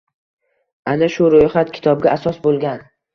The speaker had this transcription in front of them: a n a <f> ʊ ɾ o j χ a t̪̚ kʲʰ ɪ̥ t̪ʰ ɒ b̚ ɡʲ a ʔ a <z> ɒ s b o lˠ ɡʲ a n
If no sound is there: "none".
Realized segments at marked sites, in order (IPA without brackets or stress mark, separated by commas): ʃ, s